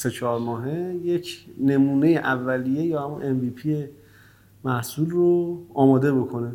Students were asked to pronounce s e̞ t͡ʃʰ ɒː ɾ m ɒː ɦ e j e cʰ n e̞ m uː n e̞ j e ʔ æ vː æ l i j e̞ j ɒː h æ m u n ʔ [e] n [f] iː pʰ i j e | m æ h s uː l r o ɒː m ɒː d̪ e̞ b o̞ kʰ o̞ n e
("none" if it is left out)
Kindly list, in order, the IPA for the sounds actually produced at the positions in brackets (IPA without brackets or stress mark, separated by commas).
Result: e, v